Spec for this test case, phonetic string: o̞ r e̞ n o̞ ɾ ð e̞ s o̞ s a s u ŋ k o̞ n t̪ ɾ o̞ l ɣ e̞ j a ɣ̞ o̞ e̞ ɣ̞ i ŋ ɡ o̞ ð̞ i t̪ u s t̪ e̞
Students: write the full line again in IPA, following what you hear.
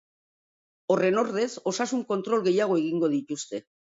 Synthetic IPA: o̞ r e̞ n o̞ ɾ ð e̞ s o̞ s a s u ŋ k o̞ n t̪ ɾ o̞ l ɣ e̞ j a ɣ̞ o̞ e̞ ɣ̞ i ŋ ɡ o̞ ð̞ i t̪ u s t̪ e̞